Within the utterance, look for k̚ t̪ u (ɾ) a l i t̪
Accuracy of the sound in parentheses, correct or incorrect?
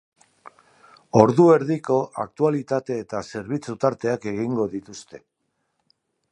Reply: incorrect